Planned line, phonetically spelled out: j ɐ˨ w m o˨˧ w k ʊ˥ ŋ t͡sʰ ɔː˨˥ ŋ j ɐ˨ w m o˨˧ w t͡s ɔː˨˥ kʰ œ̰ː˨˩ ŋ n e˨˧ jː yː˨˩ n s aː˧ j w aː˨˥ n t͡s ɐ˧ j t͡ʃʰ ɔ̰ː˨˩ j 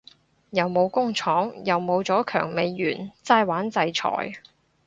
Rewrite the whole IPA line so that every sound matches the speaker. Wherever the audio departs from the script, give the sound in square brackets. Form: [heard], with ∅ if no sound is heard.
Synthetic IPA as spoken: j ɐ˨ w m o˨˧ w k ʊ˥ ŋ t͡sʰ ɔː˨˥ ŋ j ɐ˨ w m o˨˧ w t͡s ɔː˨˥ kʰ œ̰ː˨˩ ŋ [m] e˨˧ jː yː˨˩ n [t͡s] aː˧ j w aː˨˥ n t͡s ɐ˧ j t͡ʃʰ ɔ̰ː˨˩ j

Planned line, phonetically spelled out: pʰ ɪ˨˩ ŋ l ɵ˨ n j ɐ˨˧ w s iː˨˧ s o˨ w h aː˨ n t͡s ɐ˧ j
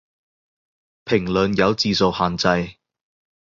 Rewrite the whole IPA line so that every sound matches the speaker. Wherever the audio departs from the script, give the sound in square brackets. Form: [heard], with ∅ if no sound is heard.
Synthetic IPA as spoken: pʰ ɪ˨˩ ŋ l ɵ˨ n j ɐ˨˧ w [t͡s] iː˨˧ s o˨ w h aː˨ n t͡s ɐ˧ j

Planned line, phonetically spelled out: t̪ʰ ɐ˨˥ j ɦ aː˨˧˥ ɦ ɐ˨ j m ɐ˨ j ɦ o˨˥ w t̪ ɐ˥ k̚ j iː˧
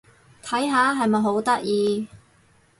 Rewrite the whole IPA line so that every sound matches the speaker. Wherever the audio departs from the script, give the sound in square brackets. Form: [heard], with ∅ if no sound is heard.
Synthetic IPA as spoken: t̪ʰ ɐ˨˥ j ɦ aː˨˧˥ ɦ ɐ˨ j m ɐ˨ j ɦ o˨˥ w t̪ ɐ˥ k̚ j iː˧

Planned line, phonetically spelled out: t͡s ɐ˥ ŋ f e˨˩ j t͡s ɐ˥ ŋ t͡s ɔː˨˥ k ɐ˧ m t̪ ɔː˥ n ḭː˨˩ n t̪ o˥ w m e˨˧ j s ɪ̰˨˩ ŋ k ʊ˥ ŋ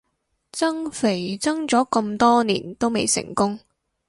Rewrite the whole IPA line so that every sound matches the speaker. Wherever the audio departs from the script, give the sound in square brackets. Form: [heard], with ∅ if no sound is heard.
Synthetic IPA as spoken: t͡s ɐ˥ ŋ f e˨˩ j t͡s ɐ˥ ŋ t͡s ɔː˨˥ k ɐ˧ m t̪ ɔː˥ n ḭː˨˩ n t̪ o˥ w m e˨˧ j s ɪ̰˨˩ ŋ k ʊ˥ ŋ

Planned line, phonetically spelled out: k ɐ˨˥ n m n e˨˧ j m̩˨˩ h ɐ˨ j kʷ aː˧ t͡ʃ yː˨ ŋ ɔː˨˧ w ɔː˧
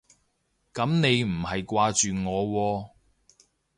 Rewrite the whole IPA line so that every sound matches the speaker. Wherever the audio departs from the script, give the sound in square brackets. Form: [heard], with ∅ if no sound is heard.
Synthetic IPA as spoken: k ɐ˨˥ [∅] m n e˨˧ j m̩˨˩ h ɐ˨ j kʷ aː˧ t͡ʃ yː˨ ŋ ɔː˨˧ w ɔː˧

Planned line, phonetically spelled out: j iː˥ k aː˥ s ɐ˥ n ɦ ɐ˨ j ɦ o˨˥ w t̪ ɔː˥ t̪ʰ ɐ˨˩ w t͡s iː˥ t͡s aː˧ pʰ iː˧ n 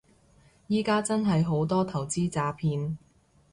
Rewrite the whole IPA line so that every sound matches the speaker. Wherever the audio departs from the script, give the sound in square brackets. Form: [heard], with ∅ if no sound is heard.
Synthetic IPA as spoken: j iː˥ k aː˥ [t͡s] ɐ˥ n ɦ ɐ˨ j ɦ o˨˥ w t̪ ɔː˥ t̪ʰ ɐ˨˩ w t͡s iː˥ t͡s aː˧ pʰ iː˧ n

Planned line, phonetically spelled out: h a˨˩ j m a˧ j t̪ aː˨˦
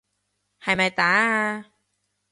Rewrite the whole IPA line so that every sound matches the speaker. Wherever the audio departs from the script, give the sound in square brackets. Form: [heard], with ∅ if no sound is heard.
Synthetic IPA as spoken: h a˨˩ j m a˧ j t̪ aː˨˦

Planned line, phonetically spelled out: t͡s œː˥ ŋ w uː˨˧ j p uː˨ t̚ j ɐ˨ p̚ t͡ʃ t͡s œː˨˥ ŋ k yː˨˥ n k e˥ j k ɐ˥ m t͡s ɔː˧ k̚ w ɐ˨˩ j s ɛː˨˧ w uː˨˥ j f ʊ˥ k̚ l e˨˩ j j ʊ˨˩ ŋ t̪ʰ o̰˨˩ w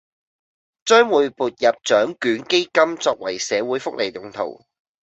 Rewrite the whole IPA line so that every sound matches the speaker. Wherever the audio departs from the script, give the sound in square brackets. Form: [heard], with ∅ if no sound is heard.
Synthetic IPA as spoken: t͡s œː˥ ŋ w uː˨˧ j p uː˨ t̚ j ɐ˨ p̚ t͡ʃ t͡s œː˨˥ ŋ k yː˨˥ n k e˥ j k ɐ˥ m t͡s ɔː˧ k̚ w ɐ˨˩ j s ɛː˨˧ w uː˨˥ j f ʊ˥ k̚ l e˨˩ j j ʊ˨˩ ŋ t̪ʰ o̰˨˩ w

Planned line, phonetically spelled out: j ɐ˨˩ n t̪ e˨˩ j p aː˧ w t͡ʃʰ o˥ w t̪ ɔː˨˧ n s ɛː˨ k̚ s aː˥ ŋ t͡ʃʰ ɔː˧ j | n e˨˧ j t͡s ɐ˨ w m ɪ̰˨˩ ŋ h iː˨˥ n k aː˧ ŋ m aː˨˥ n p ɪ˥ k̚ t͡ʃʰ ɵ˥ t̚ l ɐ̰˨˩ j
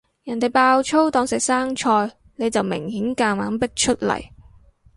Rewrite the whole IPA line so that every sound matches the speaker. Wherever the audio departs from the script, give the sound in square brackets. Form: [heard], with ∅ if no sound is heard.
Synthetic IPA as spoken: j ɐ˨˩ n t̪ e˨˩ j p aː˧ w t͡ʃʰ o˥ w t̪ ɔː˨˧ [ŋ] s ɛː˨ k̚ s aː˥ ŋ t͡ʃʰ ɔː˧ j | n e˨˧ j t͡s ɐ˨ w m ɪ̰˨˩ ŋ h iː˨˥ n k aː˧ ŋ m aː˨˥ n p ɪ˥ k̚ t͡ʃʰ ɵ˥ t̚ l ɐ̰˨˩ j

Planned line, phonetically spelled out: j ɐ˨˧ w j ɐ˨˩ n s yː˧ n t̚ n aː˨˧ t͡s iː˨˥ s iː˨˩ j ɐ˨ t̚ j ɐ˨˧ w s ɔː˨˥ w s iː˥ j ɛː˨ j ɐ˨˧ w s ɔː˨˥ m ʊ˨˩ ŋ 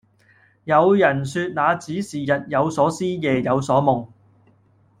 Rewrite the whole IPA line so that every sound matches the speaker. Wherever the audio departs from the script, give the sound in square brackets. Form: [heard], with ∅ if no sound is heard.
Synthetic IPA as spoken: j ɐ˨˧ w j ɐ˨˩ n s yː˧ [∅] t̚ n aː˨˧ t͡s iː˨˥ s iː˨˩ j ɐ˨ t̚ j ɐ˨˧ w s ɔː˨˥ [∅] s iː˥ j ɛː˨ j ɐ˨˧ w s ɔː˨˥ m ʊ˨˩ ŋ

